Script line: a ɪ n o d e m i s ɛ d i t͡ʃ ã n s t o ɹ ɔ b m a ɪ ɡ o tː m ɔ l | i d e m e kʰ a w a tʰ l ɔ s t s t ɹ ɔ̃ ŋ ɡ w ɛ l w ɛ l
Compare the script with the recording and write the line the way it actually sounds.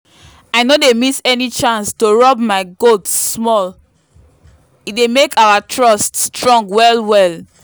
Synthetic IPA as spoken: a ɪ n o d e m i s ɛ n i t͡ʃ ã n s t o ɹ ɔ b m a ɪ ɡ o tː m ɔ l | i d e m e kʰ a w a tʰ ɹ ɔ s t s t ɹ ɔ̃ ŋ ɡ w ɛ l w ɛ l